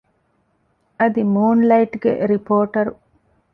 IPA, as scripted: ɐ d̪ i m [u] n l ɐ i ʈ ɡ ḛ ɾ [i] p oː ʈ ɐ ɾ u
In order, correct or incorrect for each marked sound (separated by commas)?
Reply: incorrect, correct